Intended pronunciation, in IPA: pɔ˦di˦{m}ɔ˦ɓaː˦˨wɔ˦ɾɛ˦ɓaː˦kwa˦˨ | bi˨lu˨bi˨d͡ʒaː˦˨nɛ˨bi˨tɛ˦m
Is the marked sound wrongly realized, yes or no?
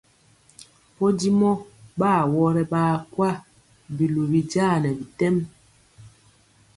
no